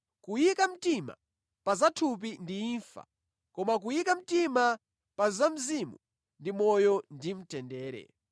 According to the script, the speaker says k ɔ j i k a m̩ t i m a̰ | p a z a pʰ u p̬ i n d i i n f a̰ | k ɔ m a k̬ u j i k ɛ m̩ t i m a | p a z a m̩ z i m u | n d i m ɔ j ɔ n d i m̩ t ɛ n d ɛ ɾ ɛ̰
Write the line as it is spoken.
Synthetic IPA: k u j i k a m̩ t i m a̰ | p a z a tʰ u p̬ i n d i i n f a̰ | k ɔ m a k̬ u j i k a m̩ t i m a | p a z a m̩ z i m u | n d i m ɔ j ɔ n d i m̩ t ɛ n d ɛː ɾ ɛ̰

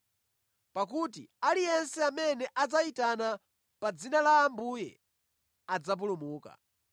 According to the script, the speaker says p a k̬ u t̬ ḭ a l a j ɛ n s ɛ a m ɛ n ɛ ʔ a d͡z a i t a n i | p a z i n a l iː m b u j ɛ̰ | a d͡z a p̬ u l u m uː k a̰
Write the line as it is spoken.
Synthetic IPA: p a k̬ u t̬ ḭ a l i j ɛ n s ɛ a m ɛ n ɛ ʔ a d͡z a i t a n a | p a d͡z i n a l aː m b u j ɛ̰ | a d͡z a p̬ u l u m uː k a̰

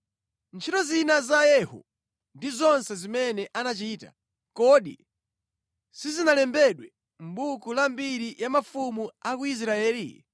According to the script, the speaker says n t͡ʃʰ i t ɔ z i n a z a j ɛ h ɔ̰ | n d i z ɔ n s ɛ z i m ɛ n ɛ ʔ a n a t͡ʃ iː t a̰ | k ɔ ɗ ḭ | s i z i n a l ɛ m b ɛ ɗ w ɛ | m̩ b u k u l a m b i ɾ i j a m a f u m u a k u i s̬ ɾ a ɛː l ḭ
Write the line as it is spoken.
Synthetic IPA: n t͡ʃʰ i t ɔ z i n a z a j ɛ h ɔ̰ | n d i z ɔ n s ɛ z i m ɛ n ɛ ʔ a n a t͡ʃ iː t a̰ | k ɔ ɗ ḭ | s i z i n a l ɛ m b ɛ ɗ w ɛ | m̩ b u k u l a m b i ɾ i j a m a f u m u a k u i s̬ ɾ a ɛː l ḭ

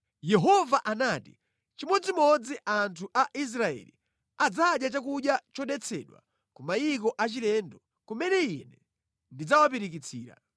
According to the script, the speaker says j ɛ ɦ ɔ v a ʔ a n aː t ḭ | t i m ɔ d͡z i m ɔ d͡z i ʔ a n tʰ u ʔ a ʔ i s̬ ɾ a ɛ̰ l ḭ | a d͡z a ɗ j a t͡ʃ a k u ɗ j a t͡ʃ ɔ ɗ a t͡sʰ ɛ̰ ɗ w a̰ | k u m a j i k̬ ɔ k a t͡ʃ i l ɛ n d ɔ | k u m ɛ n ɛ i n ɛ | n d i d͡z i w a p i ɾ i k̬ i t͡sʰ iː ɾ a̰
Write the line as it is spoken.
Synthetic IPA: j ɛ ɦ ɔ v a ʔ a n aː t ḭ | t͡ʃ i m ɔ d͡z i m ɔ d͡z i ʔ a n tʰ u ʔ a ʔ i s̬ ɾ a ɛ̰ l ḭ | a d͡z a ɗ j a t͡ʃ a k u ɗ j a t͡ʃ ɔ ɗ ɛ t͡sʰ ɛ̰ ɗ w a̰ | k u m a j i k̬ ɔ ʔ a t͡ʃ i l ɛ n d ɔ | k u m ɛ n ɛ i n ɛ | n d i d͡z a w a p i ɾ i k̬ i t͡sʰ iː ɾ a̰

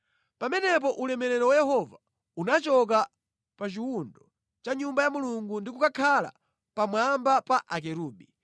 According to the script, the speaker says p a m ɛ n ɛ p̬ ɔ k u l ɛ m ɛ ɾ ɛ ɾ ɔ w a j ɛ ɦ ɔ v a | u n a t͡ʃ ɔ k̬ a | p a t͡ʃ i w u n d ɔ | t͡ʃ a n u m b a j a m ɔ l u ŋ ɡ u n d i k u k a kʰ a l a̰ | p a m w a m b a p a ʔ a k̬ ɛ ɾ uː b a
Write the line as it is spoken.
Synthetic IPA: p a m ɛ n ɛ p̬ ɔ ʔ u l ɛ m ɛ ɾ ɛ ɾ ɔ w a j ɛ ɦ ɔ v a | u n a t͡ʃ ɔ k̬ a | p a t͡ʃ i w u n d ɔ | t͡ʃ a ɲ u m b a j a m u l u ŋ ɡ u n d i k u k a kʰ a l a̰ | p a m w a m b a p a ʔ a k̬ ɛ ɾ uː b i

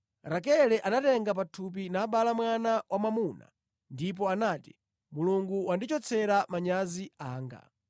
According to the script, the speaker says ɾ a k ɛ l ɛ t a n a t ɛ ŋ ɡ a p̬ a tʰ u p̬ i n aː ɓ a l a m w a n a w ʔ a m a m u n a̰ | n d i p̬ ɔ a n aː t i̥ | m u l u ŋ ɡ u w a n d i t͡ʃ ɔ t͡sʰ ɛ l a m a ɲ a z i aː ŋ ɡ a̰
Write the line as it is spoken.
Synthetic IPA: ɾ a k ɛ l ɛ ʔ a n a t ɛ ŋ ɡ a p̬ a tʰ u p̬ i n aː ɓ a l a m w a n a w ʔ a m a m u n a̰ | n d i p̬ ɔ a n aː t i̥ | m u l u ŋ ɡ u w a n d i t͡ʃ ɔ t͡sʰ ɛ ɾ a m a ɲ a z i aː ŋ ɡ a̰

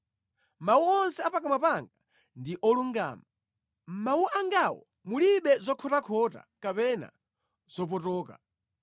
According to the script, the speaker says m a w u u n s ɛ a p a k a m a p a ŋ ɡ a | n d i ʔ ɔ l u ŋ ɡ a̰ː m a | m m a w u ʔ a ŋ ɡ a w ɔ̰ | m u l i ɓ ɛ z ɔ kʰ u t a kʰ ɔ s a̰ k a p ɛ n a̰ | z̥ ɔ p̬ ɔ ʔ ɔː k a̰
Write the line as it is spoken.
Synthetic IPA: m a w u ɔ n s ɛ a p a k a m a p a ŋ ɡ a | n d i ʔ ɔ l u ŋ ɡ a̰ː m a | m m a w u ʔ a ŋ ɡ a w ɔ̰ | m u l i ɓ ɛ z ɔ kʰ ɔ t a kʰ ɔ t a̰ k a p ɛ n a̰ | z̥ ɔ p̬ ɔ t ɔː k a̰

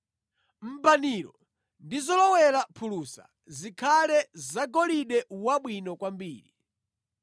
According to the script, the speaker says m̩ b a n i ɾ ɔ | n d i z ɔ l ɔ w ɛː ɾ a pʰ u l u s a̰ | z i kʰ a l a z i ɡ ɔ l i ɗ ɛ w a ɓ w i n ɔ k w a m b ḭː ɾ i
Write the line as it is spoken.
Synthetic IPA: m̩ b a n i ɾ ɔ | n d i z ɔ l ɔ w ɛ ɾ a pʰ u l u s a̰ | z i kʰ a l ɛ z a ɡ ɔ l i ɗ ɛ w a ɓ w i n ɔ k w a m b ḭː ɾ i

